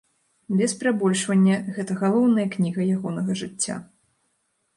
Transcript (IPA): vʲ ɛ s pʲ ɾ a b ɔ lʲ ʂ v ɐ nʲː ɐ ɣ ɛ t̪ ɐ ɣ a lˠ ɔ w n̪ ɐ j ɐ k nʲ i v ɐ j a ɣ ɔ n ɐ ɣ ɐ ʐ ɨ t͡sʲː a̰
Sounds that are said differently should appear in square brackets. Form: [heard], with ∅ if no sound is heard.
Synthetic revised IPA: [bʲ] ɛ s pʲ ɾ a b ɔ lʲ ʂ v ɐ nʲː ɐ ɣ ɛ t̪ ɐ ɣ a lˠ ɔ w n̪ ɐ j ɐ k nʲ i [ɣ] ɐ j a ɣ ɔ n ɐ ɣ ɐ ʐ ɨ t͡sʲː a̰